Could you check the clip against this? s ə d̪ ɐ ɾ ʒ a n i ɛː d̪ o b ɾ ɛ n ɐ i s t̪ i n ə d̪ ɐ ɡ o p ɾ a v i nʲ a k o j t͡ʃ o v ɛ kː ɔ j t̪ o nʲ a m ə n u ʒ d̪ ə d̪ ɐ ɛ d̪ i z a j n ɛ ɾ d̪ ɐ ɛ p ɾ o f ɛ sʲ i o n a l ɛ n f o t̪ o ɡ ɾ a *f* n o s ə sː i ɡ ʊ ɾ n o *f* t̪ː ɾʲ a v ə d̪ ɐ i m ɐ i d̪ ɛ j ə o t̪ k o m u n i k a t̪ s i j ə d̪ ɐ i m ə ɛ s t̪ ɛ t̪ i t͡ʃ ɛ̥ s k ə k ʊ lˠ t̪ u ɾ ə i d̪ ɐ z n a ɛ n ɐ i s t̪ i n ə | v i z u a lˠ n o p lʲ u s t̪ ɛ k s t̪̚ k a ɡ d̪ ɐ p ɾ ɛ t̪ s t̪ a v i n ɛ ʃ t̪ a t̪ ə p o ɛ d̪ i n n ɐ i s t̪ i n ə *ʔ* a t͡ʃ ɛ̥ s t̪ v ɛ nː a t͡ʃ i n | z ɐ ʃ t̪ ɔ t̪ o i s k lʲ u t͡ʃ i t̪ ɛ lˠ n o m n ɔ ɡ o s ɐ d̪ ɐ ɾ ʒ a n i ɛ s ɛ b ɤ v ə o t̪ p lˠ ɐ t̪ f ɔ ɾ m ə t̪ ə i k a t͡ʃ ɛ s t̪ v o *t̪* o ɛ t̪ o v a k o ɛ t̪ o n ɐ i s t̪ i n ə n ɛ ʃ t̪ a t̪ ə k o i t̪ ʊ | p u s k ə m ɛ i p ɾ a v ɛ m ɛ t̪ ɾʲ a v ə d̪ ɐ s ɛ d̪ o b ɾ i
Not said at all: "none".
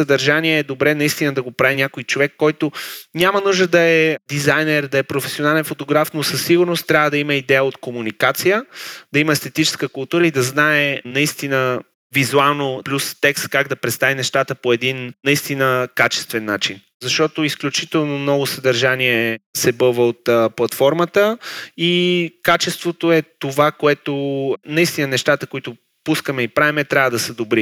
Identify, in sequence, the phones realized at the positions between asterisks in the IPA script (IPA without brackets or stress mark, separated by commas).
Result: f, s, k, t̪